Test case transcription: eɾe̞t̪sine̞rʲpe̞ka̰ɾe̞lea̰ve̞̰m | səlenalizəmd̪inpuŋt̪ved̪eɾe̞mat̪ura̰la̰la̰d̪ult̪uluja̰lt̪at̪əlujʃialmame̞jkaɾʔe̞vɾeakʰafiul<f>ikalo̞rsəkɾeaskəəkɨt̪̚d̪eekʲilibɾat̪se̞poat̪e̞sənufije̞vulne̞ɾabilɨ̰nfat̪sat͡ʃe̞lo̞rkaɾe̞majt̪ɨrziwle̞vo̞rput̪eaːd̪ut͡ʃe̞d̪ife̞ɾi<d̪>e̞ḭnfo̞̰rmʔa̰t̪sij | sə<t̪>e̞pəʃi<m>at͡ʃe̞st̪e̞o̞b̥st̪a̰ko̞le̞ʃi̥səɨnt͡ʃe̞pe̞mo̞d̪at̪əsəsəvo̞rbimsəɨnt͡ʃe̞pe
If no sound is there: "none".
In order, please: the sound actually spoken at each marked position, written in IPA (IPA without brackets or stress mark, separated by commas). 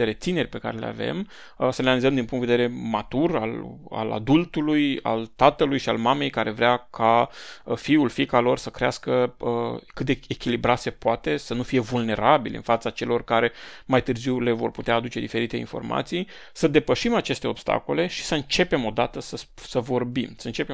f, t̪, d̪, m